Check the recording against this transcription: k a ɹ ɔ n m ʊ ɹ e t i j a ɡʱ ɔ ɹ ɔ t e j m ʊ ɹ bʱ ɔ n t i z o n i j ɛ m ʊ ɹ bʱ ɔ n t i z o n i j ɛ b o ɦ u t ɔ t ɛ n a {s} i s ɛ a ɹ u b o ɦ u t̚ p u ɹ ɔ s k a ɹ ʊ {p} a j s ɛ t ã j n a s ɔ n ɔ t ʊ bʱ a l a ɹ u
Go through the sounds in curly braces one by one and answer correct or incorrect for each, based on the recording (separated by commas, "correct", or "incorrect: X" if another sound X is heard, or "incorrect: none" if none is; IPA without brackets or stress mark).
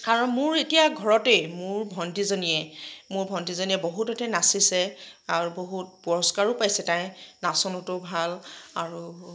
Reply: correct, correct